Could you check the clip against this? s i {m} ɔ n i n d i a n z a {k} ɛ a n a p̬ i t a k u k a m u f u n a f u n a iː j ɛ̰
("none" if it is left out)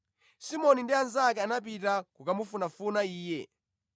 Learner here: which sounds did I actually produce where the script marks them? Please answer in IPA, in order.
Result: m, k

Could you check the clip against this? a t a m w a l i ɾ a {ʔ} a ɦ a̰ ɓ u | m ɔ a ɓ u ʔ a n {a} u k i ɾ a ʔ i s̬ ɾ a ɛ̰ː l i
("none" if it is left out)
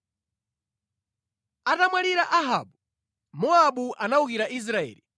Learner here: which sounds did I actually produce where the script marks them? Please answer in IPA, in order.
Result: ʔ, a

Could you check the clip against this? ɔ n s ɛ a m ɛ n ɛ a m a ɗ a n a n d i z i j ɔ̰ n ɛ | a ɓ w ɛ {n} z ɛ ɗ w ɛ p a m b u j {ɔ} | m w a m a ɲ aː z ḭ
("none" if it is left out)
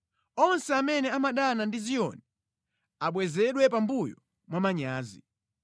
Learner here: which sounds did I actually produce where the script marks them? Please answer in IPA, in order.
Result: none, ɔ

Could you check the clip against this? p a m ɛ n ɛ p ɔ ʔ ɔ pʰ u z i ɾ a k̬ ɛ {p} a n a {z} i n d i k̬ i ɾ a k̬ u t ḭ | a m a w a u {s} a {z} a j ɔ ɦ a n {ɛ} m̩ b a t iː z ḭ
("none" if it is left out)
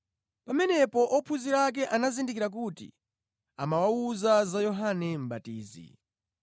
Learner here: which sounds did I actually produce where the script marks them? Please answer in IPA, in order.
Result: ʔ, z, z, z, ɛ

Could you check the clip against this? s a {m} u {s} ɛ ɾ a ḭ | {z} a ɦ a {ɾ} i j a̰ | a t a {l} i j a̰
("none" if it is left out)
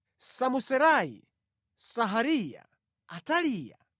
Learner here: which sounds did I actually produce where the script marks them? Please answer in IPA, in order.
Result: m, s, s, ɾ, l

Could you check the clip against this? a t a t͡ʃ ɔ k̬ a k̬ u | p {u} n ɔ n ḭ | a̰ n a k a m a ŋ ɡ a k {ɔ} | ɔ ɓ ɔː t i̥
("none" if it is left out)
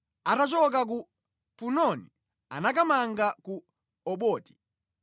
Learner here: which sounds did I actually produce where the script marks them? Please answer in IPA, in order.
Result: u, u

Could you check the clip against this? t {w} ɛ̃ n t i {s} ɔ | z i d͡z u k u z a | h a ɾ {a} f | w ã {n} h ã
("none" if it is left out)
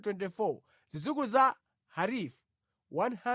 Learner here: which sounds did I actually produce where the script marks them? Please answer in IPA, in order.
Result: w, f, i, n

